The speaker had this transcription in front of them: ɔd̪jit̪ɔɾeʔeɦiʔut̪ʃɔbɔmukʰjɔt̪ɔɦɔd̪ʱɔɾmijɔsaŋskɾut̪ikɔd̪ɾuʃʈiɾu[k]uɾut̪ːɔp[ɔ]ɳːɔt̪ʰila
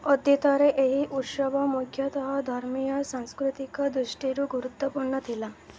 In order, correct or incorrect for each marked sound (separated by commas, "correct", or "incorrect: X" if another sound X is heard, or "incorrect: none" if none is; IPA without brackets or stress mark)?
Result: incorrect: ɡ, incorrect: u